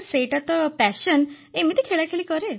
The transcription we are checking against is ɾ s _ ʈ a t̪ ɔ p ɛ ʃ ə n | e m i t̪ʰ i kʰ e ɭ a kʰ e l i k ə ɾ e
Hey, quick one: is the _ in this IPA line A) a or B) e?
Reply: B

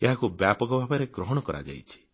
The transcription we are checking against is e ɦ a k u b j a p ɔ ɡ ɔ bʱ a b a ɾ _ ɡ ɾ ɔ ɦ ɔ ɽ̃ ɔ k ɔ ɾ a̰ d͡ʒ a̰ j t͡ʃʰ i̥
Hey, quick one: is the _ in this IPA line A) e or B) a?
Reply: A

